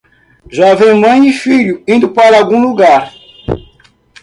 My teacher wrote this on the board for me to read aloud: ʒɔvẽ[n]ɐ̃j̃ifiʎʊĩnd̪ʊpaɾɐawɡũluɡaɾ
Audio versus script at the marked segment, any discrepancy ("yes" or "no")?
yes